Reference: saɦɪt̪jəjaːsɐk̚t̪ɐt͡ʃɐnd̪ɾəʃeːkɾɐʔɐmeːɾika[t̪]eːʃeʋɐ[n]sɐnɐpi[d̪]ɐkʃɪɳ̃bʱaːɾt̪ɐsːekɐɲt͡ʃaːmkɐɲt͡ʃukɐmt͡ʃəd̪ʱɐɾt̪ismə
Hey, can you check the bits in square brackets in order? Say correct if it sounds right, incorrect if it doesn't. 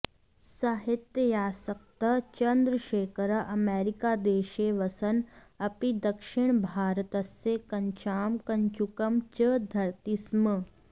incorrect: d̪, incorrect: none, correct

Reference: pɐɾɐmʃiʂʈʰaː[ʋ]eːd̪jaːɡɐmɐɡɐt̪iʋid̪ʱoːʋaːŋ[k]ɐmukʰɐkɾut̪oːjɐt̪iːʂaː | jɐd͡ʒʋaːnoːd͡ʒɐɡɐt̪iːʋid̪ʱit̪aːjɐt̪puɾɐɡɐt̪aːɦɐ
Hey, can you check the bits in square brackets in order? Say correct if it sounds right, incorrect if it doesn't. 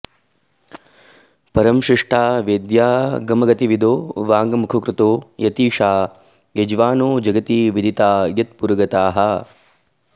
correct, incorrect: ɡ

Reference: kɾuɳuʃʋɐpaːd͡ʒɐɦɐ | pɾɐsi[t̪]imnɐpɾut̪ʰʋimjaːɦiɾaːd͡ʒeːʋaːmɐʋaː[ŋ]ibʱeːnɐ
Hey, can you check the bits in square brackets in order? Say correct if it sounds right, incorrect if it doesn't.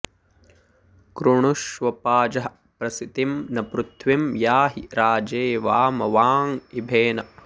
correct, correct

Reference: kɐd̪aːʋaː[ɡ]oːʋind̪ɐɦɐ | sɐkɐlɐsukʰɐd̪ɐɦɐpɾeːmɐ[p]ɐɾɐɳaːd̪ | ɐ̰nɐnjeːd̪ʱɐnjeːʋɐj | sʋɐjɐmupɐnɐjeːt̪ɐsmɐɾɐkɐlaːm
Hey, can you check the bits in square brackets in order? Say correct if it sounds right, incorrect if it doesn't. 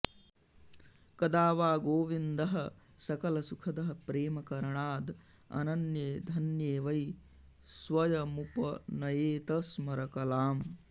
correct, incorrect: k

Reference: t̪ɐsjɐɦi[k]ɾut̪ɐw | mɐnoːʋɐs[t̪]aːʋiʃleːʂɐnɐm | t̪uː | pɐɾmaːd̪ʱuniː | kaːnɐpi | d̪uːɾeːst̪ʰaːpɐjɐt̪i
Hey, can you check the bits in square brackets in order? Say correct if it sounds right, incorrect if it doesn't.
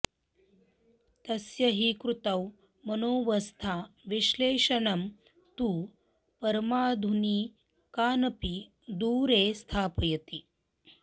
correct, incorrect: t̪ʰ

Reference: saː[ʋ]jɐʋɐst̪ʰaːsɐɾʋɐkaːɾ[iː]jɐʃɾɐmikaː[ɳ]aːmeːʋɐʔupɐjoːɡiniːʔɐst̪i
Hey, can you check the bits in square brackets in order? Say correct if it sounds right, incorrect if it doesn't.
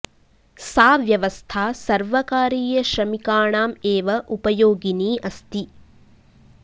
correct, correct, correct

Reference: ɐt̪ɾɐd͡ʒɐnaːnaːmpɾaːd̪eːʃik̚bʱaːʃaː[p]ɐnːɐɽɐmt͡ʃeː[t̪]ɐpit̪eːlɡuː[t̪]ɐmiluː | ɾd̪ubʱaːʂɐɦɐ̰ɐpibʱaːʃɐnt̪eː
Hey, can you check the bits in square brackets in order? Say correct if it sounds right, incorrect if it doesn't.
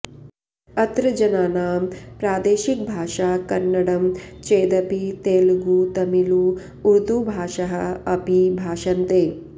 incorrect: k, incorrect: d̪, correct

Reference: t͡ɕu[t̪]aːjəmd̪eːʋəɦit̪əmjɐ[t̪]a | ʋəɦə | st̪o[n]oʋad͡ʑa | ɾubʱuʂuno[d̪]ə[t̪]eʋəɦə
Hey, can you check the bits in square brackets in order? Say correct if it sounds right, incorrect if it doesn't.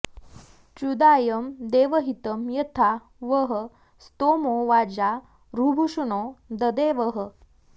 incorrect: d̪, incorrect: t̪ʰ, incorrect: m, correct, incorrect: d̪

